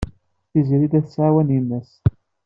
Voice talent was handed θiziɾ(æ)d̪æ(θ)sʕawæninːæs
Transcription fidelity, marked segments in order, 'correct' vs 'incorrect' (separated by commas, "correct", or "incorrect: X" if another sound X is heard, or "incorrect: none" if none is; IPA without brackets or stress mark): incorrect: i, correct